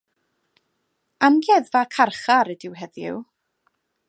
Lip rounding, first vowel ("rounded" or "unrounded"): unrounded